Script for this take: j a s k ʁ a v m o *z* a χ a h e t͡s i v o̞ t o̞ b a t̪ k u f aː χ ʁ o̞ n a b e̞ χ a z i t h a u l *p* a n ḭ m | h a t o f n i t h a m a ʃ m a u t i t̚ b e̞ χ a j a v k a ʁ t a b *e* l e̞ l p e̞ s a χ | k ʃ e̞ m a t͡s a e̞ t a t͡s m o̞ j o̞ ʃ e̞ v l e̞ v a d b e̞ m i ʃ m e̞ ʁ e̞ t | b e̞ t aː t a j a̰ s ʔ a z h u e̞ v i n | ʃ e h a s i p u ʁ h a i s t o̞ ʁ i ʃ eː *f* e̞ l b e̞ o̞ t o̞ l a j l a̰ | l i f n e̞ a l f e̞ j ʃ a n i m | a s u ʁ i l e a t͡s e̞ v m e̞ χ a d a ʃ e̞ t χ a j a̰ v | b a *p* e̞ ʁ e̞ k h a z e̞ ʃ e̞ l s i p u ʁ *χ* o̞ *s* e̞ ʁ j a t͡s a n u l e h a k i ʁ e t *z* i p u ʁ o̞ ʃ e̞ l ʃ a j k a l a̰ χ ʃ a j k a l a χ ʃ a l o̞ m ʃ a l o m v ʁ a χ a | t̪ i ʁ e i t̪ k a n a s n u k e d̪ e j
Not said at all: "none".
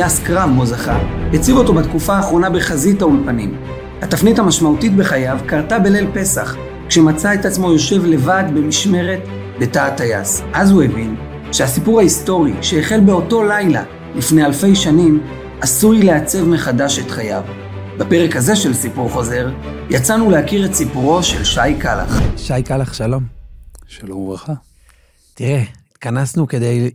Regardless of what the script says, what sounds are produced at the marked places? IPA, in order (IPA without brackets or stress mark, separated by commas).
z, p, e, χ, p, χ, z, s